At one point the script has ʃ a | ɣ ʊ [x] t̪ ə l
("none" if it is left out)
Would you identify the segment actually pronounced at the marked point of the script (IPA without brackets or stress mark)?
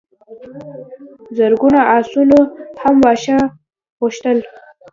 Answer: ʃ